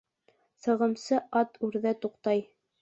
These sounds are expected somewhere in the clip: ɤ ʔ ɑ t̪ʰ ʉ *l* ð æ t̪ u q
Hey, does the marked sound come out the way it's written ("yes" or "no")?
no